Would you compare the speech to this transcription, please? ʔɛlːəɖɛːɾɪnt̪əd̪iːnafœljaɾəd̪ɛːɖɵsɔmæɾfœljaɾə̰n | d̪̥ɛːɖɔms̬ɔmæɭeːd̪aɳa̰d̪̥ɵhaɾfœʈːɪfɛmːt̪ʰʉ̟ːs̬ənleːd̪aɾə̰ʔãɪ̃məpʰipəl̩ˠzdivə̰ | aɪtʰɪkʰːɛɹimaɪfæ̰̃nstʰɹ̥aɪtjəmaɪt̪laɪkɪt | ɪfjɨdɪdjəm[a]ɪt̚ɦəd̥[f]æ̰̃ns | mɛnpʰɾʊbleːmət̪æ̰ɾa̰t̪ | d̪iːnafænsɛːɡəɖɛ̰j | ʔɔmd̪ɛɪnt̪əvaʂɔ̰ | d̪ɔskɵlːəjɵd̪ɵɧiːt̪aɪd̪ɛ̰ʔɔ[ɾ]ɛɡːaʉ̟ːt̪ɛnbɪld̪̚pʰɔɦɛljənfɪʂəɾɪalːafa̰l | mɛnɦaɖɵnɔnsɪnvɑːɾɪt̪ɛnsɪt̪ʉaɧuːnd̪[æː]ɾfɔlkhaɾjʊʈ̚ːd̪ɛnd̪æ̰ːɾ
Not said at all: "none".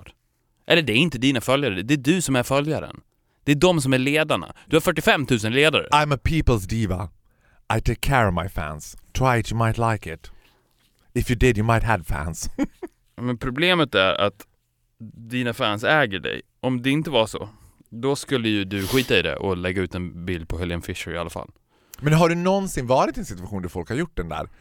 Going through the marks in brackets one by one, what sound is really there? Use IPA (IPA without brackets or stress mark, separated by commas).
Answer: a, f, l, æ